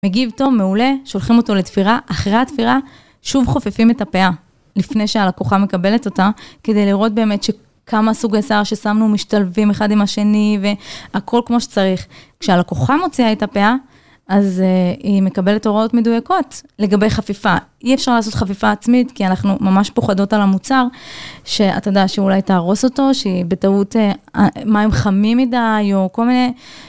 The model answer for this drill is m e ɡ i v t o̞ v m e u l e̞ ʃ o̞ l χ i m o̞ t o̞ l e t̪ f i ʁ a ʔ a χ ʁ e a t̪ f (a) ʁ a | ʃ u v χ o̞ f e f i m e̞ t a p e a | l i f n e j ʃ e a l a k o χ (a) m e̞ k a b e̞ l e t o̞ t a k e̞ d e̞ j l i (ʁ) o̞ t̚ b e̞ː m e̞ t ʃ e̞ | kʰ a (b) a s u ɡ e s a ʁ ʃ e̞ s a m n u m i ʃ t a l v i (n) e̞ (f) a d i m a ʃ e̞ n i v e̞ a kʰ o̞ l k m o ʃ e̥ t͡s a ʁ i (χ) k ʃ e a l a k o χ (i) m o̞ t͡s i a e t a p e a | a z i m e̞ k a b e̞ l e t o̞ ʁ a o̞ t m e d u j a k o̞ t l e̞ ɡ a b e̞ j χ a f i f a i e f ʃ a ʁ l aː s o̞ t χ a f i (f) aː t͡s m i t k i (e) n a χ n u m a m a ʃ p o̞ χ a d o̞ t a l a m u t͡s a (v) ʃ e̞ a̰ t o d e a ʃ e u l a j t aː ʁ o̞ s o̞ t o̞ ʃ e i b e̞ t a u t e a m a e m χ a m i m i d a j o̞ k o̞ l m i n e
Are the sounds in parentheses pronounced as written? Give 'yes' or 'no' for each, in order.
no, yes, yes, no, no, no, yes, no, yes, no, no

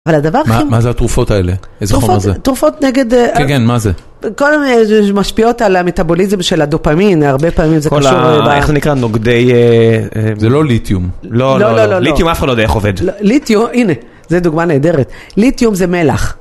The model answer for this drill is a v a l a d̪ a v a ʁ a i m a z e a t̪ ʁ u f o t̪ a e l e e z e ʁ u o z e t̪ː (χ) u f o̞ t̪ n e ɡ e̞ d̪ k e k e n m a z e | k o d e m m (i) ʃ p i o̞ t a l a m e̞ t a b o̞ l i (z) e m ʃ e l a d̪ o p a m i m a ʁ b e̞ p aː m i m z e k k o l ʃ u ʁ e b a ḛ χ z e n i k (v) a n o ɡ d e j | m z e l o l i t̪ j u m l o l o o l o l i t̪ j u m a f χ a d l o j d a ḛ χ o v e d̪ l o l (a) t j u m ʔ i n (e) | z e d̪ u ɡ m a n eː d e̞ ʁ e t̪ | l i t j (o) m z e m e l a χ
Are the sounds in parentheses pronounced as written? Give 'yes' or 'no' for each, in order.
no, no, yes, no, no, yes, no

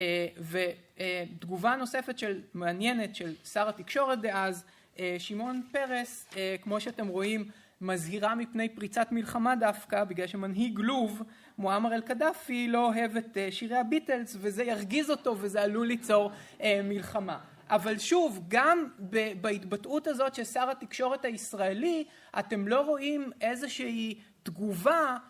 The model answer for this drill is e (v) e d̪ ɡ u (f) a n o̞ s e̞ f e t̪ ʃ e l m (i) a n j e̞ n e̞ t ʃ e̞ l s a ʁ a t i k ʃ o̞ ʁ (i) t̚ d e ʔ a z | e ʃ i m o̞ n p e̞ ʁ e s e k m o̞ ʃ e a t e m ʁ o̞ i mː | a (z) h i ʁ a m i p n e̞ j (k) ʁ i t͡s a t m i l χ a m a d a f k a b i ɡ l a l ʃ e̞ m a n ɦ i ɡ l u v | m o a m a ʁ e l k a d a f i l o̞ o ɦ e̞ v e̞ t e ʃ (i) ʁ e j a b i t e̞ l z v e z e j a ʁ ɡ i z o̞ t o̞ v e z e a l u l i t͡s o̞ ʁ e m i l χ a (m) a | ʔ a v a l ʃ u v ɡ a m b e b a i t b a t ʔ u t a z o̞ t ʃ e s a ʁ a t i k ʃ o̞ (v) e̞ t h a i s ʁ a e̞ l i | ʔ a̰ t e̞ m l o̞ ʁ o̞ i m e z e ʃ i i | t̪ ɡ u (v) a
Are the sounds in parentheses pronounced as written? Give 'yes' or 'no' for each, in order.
yes, no, no, no, yes, no, yes, yes, no, yes

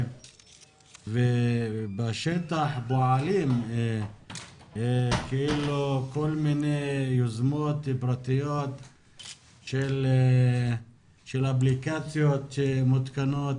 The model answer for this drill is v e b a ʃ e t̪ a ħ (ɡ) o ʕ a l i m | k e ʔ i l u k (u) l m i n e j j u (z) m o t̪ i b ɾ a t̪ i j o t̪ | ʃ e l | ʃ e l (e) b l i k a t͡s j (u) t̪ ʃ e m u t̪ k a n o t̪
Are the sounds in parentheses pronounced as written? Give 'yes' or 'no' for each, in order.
no, no, yes, no, no

